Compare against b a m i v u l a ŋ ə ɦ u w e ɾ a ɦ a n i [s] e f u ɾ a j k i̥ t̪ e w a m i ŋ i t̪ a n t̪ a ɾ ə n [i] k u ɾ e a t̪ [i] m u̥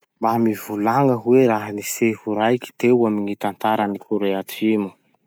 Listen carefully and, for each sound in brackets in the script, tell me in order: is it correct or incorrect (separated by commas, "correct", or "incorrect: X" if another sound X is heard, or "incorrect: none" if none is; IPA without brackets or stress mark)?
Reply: correct, correct, correct